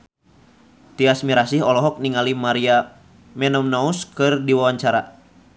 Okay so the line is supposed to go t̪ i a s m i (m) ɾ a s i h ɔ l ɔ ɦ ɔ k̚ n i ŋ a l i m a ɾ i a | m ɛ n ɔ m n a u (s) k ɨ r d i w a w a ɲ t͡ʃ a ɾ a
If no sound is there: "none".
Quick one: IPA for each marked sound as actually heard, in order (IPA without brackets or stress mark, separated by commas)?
none, s